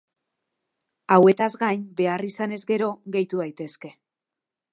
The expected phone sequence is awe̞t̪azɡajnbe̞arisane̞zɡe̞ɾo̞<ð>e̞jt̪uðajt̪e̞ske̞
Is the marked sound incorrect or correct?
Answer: incorrect